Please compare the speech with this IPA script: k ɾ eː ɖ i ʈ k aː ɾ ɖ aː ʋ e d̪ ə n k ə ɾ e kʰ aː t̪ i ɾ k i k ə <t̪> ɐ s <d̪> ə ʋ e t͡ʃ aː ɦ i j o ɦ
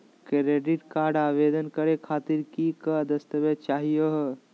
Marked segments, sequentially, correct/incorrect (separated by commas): incorrect, incorrect